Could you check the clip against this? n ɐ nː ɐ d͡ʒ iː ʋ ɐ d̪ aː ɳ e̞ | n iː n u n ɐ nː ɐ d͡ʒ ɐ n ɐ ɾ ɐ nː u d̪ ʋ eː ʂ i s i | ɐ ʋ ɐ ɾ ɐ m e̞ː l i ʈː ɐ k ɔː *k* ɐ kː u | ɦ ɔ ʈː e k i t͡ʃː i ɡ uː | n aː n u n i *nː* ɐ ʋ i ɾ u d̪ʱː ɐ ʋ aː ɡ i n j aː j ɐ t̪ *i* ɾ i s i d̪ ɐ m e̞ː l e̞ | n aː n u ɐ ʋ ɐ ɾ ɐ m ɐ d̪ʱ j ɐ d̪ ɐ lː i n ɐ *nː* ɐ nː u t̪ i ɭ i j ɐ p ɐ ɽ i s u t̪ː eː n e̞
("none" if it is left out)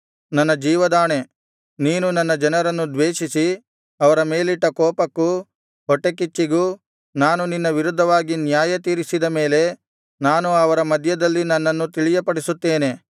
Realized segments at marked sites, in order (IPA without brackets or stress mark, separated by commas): p, nː, iː, nː